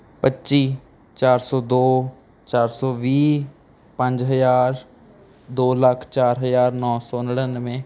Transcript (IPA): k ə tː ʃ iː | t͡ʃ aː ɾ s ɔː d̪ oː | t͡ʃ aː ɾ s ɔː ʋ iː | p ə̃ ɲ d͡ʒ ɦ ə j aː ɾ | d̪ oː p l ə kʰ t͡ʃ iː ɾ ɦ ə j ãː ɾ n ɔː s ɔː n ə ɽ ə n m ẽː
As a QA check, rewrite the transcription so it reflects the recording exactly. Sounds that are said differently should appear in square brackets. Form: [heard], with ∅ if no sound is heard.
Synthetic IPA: [p] ə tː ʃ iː | t͡ʃ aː ɾ s ɔː d̪ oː | t͡ʃ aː ɾ s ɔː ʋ iː | p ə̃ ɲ d͡ʒ ɦ ə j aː ɾ | d̪ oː [∅] l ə kʰ t͡ʃ [aː] ɾ ɦ ə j [aː] ɾ n ɔː s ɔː n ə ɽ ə n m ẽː